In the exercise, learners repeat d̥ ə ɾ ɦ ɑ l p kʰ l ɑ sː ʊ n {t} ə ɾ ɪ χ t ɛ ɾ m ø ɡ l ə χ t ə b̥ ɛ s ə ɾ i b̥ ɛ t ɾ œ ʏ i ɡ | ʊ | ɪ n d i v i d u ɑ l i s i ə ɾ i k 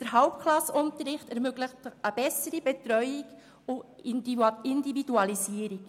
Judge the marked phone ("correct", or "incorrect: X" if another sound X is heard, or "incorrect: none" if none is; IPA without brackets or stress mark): correct